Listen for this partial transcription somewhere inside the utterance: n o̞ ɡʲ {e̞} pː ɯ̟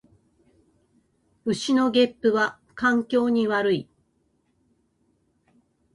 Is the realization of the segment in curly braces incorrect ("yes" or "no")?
no